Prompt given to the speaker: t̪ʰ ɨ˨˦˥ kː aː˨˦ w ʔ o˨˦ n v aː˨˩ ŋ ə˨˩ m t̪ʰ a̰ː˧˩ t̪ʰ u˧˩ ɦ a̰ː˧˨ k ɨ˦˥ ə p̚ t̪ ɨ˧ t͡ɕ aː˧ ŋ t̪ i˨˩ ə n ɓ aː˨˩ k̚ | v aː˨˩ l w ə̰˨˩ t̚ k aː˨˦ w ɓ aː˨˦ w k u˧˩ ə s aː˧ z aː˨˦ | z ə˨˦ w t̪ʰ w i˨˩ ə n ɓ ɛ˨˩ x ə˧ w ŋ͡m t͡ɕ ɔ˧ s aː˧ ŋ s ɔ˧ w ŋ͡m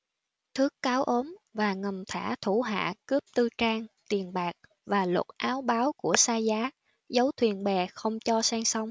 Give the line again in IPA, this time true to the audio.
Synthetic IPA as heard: t̪ʰ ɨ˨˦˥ kː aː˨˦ w ʔ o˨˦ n v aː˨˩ ŋ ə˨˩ m t̪ʰ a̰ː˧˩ t̪ʰ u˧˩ ɦ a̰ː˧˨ k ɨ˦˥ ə p̚ t̪ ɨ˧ t͡ɕ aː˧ ŋ t̪ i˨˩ ə n ɓ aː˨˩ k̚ | v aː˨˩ l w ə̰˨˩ t̚ ʔ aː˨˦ w ɓ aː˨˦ w k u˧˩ ə s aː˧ z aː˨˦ | z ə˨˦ w t̪ʰ w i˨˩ ə n ɓ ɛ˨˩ x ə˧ w ŋ͡m t͡ɕ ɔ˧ s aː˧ ŋ s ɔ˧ w ŋ͡m

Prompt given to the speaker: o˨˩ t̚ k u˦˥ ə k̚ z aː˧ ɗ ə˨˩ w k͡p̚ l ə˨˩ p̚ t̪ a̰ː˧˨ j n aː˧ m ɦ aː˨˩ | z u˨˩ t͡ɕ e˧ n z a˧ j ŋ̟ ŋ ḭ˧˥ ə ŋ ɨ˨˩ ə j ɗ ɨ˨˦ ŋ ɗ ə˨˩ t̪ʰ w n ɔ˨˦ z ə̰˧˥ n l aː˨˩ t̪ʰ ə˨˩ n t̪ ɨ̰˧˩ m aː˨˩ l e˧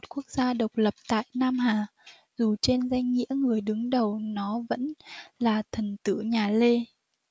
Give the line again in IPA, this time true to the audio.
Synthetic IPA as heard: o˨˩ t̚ k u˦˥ ə k̚ z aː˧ ɗ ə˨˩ w k͡p̚ l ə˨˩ p̚ t̪ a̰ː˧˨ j n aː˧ m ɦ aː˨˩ | z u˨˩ t͡ɕ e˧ n z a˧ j ŋ̟ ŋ ḭ˧˥ ə ŋ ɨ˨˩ ə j ɗ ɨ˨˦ ŋ ɗ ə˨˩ w n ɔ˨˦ v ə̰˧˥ n l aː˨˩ t̪ʰ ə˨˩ n t̪ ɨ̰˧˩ ɲ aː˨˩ l e˧

